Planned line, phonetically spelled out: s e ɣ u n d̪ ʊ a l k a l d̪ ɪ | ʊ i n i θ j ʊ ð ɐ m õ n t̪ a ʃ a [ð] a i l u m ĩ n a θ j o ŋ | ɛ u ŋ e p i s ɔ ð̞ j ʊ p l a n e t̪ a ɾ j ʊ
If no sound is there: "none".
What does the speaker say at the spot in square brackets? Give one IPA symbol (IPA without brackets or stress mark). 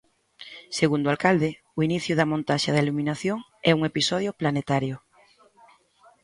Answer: ð